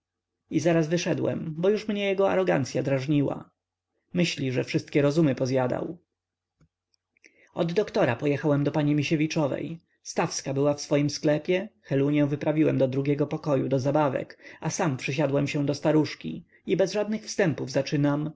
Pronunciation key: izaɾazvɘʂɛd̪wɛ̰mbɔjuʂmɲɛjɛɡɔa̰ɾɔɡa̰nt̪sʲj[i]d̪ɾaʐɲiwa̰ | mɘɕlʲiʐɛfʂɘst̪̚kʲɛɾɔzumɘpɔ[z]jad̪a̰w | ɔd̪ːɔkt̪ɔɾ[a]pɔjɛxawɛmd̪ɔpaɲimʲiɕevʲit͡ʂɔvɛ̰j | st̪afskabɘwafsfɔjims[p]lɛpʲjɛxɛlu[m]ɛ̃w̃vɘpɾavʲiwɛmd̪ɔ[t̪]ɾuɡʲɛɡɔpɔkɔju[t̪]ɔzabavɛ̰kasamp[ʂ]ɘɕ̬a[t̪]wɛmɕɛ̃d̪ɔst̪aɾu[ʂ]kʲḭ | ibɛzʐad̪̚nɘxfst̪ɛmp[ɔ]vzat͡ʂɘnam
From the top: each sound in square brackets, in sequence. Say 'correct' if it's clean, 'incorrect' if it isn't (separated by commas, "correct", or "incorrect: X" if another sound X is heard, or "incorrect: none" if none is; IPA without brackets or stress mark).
incorrect: a, correct, correct, incorrect: k, incorrect: ɲ, incorrect: d̪, incorrect: d̪, correct, incorrect: d̪, correct, incorrect: u